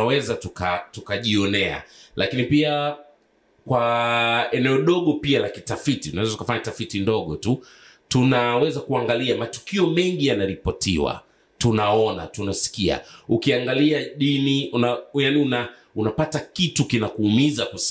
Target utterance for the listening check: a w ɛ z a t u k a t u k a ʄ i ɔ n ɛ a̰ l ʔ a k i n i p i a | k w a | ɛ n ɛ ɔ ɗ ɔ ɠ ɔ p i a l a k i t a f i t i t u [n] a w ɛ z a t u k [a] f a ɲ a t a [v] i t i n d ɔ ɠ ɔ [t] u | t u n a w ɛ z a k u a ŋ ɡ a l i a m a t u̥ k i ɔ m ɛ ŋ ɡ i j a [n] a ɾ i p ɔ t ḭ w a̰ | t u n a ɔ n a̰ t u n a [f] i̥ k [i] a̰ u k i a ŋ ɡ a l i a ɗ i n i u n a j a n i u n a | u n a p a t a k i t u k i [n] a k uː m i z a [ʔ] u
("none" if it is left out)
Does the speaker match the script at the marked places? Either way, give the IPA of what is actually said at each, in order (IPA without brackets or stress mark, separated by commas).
n, a, f, t, n, s, i, n, k